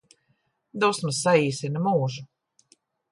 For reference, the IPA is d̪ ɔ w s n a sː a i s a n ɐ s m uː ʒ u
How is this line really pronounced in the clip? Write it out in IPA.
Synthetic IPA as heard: d̪ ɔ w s m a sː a iː s i n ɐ m uː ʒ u